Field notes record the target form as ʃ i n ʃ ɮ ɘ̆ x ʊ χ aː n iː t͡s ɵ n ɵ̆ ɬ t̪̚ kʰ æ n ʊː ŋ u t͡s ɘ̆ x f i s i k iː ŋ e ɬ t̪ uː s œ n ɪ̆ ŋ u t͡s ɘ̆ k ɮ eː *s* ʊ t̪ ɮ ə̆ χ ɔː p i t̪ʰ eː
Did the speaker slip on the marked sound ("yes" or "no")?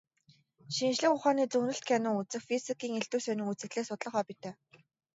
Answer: no